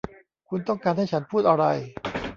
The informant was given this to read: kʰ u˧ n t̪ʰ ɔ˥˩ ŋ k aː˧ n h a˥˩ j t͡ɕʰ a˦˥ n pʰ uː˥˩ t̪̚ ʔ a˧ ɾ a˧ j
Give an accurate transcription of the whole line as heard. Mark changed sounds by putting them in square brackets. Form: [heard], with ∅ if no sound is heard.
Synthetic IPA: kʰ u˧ n [t̪] ɔ˥˩ ŋ k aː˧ n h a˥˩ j t͡ɕʰ a˦˥ n pʰ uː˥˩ t̪̚ ʔ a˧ ɾ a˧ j